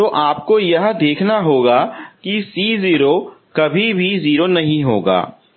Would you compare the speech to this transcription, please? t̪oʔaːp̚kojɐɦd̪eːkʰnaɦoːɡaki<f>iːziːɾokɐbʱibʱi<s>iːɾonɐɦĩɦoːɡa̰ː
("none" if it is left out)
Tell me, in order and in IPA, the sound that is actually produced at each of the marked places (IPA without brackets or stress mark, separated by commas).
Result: s, z